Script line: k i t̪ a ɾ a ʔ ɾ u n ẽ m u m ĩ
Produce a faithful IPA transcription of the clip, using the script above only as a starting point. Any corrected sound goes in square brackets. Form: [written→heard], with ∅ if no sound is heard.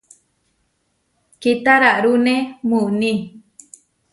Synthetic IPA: k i t̪ a ɾ a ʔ ɾ u n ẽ m u [m→n] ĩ